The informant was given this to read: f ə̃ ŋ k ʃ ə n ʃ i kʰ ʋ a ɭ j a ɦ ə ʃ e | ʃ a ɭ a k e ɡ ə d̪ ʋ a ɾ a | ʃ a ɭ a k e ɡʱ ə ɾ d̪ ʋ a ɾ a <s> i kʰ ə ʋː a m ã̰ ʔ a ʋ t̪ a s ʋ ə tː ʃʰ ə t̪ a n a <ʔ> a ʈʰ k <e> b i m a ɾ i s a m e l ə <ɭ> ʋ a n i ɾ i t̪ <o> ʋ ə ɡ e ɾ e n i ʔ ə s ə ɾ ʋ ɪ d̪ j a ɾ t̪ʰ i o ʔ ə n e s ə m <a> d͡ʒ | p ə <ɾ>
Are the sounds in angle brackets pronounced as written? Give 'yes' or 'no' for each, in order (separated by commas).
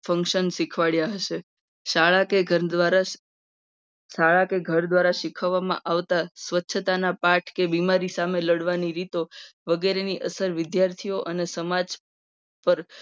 no, no, yes, no, yes, yes, yes